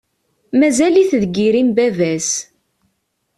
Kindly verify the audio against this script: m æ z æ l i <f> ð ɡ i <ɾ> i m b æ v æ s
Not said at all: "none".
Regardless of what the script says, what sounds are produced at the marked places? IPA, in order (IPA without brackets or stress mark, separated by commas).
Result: θ, ɾ